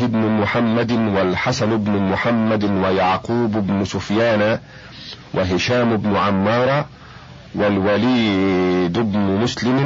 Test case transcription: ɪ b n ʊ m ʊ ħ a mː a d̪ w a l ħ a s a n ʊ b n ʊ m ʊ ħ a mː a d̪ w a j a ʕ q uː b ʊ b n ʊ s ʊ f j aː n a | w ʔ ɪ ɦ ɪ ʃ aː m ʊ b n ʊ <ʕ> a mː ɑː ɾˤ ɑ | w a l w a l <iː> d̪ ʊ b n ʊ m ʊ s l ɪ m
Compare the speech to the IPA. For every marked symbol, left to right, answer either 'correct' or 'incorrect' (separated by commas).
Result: correct, correct